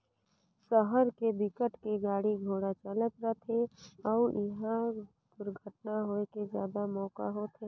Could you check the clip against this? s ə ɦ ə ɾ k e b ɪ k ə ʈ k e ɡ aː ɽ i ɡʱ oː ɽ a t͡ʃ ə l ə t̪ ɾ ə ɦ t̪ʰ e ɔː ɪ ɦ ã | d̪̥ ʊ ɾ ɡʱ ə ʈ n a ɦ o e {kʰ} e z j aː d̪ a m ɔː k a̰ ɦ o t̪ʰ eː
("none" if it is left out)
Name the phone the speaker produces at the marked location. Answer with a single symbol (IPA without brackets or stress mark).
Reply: k